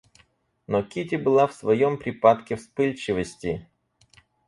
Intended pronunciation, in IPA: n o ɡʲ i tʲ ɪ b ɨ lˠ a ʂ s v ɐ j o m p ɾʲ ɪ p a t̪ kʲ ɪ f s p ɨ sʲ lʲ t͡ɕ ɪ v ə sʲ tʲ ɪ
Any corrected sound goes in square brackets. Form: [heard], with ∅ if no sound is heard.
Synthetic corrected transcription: n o [kʲ] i tʲ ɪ b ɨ lˠ a [f] s v ɐ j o m p ɾʲ ɪ p a t̪ kʲ ɪ f s p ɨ [∅] lʲ t͡ɕ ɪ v ə sʲ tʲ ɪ